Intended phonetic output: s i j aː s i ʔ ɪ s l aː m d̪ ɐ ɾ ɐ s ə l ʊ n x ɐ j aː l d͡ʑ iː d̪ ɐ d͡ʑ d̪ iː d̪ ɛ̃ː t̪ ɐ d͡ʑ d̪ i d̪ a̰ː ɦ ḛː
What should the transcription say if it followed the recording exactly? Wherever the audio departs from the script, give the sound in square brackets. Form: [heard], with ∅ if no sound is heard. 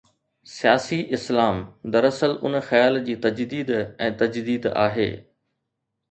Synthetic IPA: s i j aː s i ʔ ɪ s l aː m d̪ ɐ ɾ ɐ s ə l ʊ n x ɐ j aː l d͡ʑ iː [t̪] ɐ d͡ʑ d̪ iː d̪ ɛ̃ː t̪ ɐ d͡ʑ d̪ [iː] d̪ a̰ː ɦ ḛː